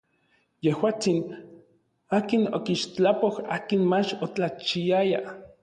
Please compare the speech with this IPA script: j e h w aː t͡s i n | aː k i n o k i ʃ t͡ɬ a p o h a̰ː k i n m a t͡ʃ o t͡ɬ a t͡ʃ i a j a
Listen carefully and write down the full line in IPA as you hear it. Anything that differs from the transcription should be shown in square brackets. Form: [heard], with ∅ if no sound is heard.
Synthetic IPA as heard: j e h w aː t͡s i n | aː k i n o k i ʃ t͡ɬ a p o h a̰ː k i n m a t͡ʃ o t͡ɬ a t͡ʃ i a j a